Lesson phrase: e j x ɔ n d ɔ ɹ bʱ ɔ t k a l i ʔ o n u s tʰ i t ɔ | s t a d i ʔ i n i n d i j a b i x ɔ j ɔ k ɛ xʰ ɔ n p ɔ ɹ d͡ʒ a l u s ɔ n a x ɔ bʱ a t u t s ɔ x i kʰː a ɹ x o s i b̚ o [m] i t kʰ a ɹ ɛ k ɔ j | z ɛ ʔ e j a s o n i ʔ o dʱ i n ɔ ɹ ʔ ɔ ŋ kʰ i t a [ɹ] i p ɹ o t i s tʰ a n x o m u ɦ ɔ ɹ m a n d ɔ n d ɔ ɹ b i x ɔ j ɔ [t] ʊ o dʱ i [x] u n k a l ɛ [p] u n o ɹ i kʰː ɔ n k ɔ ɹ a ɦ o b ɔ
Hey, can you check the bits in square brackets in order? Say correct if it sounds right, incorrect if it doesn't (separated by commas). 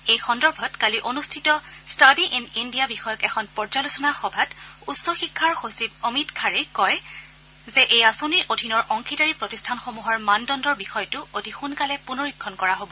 correct, correct, correct, correct, correct